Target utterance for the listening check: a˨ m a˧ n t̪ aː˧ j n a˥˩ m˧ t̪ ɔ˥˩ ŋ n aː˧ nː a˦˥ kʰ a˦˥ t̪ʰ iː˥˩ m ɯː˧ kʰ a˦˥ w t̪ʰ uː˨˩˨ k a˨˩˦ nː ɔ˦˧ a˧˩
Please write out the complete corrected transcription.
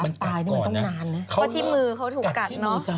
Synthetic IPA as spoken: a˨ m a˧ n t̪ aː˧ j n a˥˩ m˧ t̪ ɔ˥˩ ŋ n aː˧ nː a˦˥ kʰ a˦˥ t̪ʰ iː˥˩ m ɯː˧ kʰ a˦˥ w t̪ʰ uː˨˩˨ k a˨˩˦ n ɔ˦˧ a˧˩